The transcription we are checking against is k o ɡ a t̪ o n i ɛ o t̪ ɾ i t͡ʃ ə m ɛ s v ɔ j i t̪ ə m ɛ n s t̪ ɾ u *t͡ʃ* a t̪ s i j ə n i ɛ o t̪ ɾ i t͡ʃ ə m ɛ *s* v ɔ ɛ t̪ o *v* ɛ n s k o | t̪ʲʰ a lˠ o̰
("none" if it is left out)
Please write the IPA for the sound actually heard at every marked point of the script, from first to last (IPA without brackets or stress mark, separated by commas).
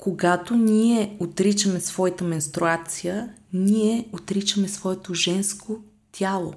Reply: none, s, ʒ